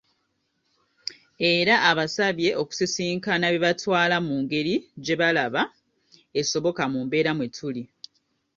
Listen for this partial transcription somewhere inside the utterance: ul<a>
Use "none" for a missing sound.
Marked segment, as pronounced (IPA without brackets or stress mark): i